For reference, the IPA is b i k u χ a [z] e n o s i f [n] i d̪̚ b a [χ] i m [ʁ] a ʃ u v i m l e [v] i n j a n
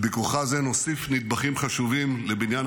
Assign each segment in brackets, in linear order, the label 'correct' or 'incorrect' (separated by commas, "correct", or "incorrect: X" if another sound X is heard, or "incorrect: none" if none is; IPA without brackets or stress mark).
correct, correct, correct, incorrect: χ, incorrect: b